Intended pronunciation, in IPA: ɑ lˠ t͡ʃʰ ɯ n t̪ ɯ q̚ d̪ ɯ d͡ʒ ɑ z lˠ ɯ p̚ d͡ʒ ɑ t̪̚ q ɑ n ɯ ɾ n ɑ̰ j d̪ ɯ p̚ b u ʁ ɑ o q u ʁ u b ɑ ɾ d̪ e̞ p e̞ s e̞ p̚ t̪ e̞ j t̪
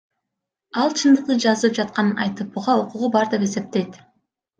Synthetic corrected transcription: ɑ lˠ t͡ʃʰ ɯ n d̪ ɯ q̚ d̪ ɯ d͡ʒ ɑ z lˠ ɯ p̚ d͡ʒ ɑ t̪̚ q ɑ n ɯ n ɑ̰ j t̪ ɯ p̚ b u ʁ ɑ o q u ʁ u b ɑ ɾ d̪ e̞ p e̞ s e̞ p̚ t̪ e̞ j t̪